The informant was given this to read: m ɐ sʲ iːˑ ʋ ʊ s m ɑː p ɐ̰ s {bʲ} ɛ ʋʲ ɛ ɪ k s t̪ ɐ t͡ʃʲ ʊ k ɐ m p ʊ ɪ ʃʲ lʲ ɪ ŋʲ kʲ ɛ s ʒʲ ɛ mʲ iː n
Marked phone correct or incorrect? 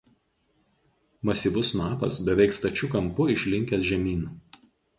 correct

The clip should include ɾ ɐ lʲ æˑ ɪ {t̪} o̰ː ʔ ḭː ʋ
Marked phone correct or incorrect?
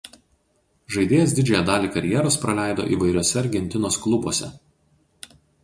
incorrect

